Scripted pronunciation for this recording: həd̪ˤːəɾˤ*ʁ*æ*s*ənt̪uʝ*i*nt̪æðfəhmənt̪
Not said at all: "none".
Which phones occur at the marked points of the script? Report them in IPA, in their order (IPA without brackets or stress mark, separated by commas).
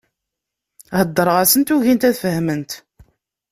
ʁ, s, i